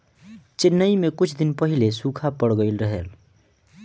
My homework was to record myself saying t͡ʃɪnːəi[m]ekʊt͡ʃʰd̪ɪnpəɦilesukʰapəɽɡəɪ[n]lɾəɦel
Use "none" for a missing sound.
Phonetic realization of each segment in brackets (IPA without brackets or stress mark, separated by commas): m, none